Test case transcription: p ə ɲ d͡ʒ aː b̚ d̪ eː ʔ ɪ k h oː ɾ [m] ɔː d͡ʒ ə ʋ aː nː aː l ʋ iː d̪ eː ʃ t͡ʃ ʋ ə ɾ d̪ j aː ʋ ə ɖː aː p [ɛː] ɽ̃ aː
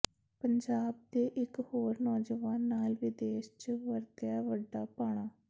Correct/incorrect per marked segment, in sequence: incorrect: n, incorrect: aː

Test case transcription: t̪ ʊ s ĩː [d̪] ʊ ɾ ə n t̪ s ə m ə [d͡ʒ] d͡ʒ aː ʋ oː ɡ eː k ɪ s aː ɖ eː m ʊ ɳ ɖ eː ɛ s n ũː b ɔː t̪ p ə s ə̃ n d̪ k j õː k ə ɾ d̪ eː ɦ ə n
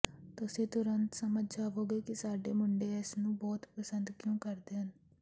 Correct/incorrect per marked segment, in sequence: incorrect: t̪, correct

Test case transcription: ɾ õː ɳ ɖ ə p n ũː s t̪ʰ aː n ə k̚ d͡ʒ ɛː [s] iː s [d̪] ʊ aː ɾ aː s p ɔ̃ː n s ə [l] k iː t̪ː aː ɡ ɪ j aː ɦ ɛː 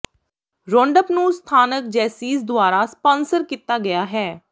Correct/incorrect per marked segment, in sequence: correct, correct, incorrect: ɾ

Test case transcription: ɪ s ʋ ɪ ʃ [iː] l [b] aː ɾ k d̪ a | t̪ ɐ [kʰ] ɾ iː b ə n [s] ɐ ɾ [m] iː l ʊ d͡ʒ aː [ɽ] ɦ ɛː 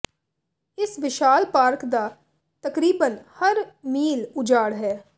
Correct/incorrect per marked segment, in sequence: incorrect: aː, incorrect: p, incorrect: k, incorrect: h, correct, correct

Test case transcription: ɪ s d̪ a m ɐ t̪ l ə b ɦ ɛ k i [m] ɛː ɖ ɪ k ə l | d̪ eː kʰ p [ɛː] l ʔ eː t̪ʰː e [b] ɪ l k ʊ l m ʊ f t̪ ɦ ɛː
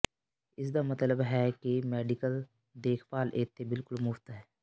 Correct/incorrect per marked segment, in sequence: correct, incorrect: aː, correct

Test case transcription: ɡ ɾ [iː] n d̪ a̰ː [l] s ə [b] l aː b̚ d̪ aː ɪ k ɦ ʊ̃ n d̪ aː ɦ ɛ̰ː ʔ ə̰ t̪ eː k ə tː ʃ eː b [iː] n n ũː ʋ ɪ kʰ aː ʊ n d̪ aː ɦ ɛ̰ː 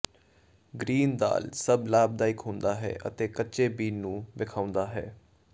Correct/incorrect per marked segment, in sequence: correct, correct, correct, correct

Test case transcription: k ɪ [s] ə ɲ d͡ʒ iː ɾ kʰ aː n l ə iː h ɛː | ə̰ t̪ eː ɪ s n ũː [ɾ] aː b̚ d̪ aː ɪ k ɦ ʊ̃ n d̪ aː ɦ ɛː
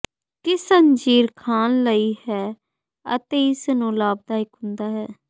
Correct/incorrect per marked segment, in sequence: correct, incorrect: l

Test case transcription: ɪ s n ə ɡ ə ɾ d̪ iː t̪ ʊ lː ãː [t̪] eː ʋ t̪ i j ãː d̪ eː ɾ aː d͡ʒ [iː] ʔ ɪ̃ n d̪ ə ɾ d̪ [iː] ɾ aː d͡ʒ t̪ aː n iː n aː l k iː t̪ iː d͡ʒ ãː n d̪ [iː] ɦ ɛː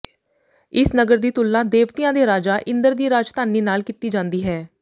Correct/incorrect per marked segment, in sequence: incorrect: d̪, incorrect: aː, correct, correct

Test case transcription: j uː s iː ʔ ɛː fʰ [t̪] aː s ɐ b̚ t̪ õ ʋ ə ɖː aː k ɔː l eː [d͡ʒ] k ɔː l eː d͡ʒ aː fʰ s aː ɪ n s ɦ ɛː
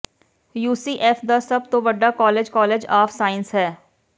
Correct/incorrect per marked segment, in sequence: incorrect: d̪, correct

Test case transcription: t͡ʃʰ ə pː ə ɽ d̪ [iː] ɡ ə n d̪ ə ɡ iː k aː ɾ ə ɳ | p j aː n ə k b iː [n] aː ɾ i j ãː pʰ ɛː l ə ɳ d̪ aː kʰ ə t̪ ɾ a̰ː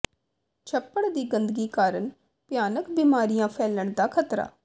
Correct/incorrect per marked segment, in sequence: correct, incorrect: m

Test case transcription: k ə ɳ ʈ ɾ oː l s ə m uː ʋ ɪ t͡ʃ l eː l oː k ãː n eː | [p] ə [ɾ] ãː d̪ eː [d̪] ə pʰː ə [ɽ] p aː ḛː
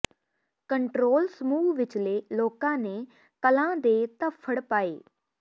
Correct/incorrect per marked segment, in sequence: incorrect: k, incorrect: l, incorrect: t̪, correct

